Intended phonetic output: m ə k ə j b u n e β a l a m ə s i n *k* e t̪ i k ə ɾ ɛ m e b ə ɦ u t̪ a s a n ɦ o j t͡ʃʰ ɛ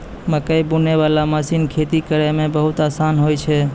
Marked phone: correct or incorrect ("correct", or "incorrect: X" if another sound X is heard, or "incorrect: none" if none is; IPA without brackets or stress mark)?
incorrect: kʰ